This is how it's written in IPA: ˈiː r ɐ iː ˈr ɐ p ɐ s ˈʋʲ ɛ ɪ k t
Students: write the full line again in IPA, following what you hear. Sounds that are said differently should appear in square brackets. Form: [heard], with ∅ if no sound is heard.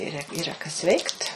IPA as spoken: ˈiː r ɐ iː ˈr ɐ [k] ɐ s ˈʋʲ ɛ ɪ k t